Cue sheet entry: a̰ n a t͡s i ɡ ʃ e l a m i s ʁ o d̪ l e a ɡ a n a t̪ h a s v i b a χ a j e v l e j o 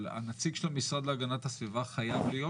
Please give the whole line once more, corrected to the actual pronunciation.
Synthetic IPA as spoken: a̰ n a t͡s i ɡ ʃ e l a m i s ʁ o d̪ l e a ɡ a n a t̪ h a s v i v a χ a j a v l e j o